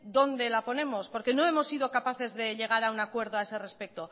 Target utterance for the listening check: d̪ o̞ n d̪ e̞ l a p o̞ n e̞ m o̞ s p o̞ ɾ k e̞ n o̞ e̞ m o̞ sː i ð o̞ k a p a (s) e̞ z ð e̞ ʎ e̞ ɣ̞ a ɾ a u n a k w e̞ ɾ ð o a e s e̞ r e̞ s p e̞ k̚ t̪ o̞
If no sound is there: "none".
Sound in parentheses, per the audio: θ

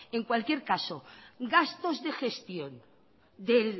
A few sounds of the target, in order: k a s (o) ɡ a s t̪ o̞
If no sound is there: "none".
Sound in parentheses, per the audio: o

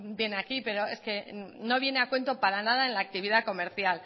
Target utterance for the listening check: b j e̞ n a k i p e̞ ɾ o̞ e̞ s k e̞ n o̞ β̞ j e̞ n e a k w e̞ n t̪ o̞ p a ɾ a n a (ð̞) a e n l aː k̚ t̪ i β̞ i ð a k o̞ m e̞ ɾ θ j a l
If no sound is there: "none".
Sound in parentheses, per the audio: ð̞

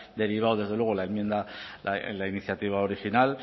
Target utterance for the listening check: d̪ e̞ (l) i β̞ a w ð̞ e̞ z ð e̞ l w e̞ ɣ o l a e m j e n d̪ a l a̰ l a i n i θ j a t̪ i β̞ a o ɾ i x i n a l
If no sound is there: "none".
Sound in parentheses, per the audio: ɾ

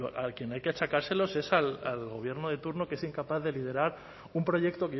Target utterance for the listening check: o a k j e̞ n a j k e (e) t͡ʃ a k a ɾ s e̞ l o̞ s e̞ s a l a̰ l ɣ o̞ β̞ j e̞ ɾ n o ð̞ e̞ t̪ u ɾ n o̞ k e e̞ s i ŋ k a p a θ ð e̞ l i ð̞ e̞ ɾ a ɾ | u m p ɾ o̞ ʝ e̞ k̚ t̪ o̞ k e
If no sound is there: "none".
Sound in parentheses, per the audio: a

